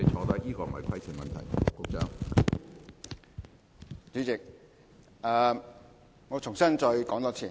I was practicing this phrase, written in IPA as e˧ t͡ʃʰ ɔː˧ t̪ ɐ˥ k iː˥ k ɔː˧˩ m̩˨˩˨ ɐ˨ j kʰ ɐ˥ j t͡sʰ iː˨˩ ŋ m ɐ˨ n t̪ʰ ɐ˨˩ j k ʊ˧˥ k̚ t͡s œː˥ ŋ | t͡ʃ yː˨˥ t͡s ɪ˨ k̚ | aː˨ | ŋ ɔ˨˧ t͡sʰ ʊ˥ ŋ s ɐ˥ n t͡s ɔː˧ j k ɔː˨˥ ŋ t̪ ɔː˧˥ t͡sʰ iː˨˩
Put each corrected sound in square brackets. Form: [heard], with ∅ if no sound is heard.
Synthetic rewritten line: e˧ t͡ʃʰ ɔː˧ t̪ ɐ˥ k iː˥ k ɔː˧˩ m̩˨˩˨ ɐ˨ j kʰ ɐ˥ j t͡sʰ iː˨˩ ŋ m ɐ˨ n t̪ʰ ɐ˨˩ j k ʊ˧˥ k̚ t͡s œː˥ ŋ | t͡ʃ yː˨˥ t͡s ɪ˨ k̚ | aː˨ | ŋ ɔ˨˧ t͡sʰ [ʊ˨˩] ŋ s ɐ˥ n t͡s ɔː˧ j k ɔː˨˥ ŋ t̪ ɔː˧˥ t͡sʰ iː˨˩

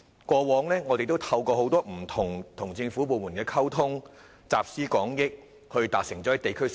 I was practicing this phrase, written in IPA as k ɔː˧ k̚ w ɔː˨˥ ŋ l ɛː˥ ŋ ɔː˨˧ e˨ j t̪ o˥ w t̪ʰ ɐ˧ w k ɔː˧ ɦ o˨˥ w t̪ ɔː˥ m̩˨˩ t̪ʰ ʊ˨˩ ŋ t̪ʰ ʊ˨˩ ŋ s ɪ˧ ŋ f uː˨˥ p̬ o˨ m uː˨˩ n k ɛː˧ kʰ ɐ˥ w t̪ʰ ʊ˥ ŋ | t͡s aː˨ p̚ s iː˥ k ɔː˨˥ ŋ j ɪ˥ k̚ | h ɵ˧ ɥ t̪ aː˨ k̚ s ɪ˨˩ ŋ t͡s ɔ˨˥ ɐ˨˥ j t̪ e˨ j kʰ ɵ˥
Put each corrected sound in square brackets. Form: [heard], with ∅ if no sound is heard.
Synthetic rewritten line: k ɔː˧ [∅] w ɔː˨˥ ŋ l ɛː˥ ŋ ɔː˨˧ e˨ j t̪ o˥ w t̪ʰ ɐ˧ w k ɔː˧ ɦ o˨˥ w t̪ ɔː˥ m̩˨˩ t̪ʰ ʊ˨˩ ŋ t̪ʰ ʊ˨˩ ŋ [t͡s] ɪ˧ ŋ f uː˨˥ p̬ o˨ m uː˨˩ n k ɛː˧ kʰ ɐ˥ w t̪ʰ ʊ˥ ŋ | t͡s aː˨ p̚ s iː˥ k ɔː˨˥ ŋ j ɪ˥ k̚ | h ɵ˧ ɥ t̪ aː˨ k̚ s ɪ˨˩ ŋ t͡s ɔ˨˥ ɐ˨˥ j t̪ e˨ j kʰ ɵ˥

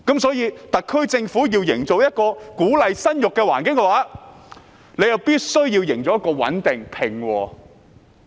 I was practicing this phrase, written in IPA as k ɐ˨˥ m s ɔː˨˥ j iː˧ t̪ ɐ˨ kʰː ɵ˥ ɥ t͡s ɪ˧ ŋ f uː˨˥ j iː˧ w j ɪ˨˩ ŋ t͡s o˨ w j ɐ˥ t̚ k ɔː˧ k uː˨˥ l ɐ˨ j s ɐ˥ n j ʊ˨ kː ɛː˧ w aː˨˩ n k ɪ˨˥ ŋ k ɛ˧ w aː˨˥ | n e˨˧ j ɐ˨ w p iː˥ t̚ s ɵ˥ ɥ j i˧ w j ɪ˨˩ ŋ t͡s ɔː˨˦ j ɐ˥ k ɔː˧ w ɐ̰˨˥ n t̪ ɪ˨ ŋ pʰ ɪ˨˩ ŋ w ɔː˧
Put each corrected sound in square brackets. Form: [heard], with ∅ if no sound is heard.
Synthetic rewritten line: k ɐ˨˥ m s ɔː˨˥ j iː˧ t̪ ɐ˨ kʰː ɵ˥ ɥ t͡s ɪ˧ ŋ f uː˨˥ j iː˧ w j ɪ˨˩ ŋ t͡s o˨ w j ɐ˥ t̚ k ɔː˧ k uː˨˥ l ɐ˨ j s ɐ˥ n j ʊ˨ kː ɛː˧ w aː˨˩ n k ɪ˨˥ ŋ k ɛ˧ w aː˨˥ | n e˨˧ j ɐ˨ w p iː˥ t̚ s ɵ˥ ɥ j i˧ w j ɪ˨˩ ŋ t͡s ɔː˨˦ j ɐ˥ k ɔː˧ w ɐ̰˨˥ n t̪ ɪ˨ ŋ pʰ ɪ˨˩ ŋ w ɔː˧

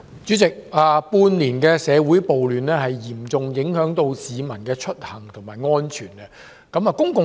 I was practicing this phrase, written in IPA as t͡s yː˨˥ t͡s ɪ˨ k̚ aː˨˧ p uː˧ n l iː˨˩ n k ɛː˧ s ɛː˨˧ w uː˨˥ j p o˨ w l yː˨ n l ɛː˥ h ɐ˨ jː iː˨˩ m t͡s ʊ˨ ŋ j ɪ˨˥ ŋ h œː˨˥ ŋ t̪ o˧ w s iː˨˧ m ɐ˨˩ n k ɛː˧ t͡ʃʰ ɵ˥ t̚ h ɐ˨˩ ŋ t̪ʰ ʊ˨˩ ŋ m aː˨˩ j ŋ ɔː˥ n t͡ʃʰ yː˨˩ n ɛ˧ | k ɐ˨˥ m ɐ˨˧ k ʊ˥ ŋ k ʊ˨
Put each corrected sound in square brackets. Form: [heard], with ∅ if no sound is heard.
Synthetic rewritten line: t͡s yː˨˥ t͡s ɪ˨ k̚ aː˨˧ p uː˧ n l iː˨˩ n k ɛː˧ s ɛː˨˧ w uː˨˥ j p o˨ w l yː˨ n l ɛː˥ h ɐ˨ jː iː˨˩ m t͡s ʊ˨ ŋ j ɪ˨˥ ŋ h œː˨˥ ŋ t̪ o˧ w s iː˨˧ m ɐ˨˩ n k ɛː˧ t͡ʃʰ ɵ˥ t̚ h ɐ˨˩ ŋ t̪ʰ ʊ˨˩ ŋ m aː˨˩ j ŋ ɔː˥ n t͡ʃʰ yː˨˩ n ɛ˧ | k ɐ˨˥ m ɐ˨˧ k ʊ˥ ŋ k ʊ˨

